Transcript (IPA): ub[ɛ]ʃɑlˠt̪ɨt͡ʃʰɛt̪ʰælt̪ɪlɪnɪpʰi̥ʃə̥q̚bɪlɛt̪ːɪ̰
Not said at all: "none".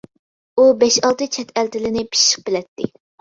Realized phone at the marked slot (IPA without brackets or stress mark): ɛ